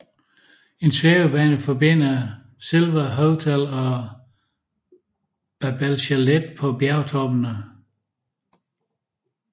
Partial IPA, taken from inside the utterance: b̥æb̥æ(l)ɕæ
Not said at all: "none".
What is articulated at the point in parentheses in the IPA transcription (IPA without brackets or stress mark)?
l